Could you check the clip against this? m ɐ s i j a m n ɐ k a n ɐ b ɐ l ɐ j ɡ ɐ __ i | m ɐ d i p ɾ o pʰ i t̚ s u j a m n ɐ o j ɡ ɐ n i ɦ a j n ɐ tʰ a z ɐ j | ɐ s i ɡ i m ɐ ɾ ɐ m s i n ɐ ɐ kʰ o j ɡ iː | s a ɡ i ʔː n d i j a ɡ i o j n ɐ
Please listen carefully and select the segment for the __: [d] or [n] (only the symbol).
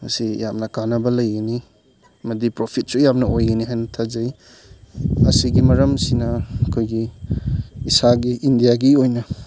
n